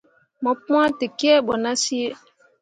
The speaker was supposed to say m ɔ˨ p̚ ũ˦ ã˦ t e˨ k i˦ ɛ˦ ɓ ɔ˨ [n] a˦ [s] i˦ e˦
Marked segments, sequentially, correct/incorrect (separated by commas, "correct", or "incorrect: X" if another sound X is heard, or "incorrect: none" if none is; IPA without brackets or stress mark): correct, correct